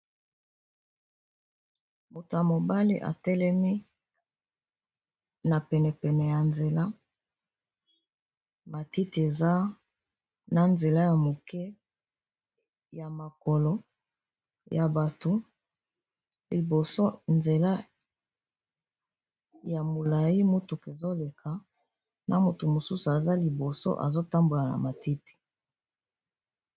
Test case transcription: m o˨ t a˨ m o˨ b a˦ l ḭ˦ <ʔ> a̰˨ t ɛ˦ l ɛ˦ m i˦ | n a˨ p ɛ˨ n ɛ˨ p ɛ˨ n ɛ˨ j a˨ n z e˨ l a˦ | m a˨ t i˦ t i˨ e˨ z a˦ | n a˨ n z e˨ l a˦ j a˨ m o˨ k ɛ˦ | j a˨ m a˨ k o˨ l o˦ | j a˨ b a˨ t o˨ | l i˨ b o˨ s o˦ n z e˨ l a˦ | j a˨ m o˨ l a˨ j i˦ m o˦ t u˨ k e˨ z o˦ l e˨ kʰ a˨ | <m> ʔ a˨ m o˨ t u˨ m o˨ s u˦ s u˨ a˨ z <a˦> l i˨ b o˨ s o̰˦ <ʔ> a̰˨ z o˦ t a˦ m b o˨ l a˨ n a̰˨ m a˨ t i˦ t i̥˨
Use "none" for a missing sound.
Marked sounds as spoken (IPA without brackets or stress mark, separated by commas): ʔ, n, a˦, ʔ